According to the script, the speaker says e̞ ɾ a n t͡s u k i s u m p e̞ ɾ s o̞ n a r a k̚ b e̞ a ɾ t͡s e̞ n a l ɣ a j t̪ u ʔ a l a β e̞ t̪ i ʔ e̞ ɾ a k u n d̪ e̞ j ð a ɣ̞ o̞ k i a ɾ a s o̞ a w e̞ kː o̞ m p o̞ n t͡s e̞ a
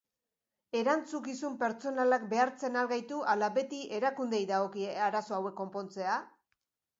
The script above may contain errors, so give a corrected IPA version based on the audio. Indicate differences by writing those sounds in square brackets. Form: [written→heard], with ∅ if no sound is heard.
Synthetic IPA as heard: e̞ ɾ a n t͡s u k i s u m p e̞ ɾ [s→t͡s] o̞ n a [r→l] a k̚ b e̞ a ɾ t͡s e̞ n a l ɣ a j t̪ u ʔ a l a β e̞ t̪ i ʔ e̞ ɾ a k u n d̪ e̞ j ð a ɣ̞ o̞ k i a ɾ a s o̞ a w e̞ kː o̞ m p o̞ n t͡s e̞ a